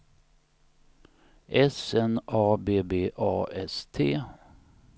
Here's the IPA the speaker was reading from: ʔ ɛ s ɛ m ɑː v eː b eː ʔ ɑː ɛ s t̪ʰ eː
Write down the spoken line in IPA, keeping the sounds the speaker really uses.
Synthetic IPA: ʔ ɛ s ɛ n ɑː b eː b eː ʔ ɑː ɛ s t̪ʰ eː